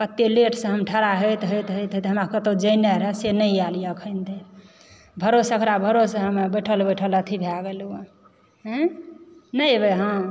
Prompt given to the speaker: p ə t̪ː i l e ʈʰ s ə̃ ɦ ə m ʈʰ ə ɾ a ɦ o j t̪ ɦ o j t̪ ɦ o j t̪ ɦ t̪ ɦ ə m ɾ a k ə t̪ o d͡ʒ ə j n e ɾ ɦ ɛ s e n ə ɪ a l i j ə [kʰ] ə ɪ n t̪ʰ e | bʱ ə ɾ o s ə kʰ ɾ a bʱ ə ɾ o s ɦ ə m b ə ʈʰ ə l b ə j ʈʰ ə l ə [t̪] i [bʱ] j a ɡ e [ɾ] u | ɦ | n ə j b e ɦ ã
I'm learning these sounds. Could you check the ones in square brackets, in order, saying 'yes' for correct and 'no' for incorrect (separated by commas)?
yes, no, yes, no